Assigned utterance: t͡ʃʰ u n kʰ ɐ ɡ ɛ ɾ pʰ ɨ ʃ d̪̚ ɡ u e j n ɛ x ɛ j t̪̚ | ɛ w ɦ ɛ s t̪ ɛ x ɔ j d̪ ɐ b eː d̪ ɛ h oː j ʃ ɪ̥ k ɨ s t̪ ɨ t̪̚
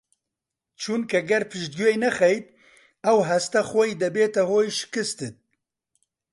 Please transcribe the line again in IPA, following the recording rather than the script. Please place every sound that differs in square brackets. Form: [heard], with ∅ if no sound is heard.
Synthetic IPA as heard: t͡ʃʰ u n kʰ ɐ ɡ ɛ ɾ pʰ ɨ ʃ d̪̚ ɡ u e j n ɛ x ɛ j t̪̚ | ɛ w ɦ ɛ s t̪ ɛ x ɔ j d̪ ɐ b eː [t̪] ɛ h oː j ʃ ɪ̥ k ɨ s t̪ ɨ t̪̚